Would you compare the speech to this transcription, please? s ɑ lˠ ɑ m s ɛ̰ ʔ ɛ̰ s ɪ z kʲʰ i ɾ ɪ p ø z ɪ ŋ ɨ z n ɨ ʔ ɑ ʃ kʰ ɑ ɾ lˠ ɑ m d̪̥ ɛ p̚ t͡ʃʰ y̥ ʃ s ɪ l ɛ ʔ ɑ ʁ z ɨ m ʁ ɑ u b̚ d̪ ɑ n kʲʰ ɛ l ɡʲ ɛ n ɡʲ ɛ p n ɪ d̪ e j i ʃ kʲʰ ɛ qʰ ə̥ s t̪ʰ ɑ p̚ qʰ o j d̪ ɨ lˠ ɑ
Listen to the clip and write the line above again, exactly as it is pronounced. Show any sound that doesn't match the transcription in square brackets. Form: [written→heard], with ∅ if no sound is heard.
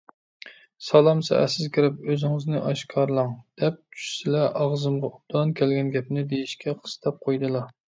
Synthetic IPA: s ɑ lˠ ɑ m s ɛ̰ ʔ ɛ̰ s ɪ z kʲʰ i ɾ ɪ p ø z ɪ ŋ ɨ z n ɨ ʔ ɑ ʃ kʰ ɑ ɾ lˠ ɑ [m→ŋ] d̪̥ ɛ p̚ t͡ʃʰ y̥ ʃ s ɪ l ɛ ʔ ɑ ʁ z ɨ m ʁ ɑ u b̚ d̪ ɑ n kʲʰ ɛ l ɡʲ ɛ n ɡʲ ɛ p n ɪ d̪ e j i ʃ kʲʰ ɛ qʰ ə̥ s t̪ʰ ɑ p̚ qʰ o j d̪ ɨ lˠ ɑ